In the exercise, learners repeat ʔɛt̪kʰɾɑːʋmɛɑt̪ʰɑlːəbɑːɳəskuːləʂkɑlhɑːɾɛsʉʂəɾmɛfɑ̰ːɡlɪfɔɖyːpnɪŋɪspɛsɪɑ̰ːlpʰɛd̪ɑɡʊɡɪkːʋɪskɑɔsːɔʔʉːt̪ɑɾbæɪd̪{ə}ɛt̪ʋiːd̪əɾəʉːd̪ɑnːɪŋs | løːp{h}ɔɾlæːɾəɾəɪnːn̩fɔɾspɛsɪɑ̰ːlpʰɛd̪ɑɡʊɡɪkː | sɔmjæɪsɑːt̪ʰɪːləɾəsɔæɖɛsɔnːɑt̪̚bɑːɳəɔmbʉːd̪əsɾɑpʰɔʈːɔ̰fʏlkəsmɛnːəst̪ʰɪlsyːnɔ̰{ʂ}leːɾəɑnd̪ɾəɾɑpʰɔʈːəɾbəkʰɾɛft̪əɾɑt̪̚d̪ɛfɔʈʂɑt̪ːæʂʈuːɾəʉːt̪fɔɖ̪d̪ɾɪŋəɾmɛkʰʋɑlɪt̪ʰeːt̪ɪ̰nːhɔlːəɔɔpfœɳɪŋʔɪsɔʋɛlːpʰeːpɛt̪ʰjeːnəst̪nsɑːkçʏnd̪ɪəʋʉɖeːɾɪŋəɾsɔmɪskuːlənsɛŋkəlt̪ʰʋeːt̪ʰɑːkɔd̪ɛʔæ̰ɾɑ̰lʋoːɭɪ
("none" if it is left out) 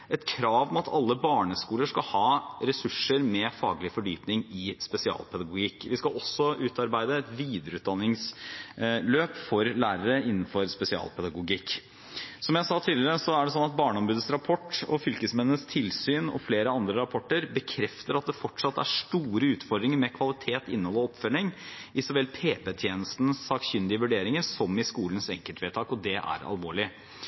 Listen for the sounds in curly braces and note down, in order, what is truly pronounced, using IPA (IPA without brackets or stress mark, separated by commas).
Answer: ə, f, f